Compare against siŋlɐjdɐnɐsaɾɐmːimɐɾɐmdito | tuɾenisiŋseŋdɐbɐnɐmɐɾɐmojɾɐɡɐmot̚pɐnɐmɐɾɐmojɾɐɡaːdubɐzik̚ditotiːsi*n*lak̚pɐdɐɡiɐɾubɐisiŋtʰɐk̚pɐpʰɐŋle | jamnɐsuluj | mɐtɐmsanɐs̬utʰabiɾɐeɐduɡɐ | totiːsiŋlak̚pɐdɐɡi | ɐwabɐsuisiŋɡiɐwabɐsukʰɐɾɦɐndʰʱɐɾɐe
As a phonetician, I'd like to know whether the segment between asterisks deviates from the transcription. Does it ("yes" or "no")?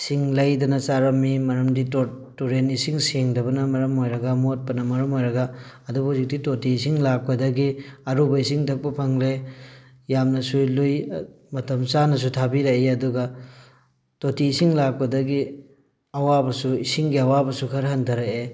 yes